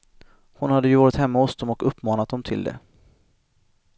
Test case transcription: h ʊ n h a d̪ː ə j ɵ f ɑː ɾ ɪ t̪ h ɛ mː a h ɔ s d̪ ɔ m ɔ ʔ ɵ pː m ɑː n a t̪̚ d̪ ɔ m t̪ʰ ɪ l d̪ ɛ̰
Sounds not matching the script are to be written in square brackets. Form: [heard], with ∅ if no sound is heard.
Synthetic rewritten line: h ʊ n h a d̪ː ə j ɵ [v] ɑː ɾ ɪ t̪ h ɛ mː a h ɔ s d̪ ɔ m ɔ [k] ɵ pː m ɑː n a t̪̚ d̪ ɔ m t̪ʰ ɪ l d̪ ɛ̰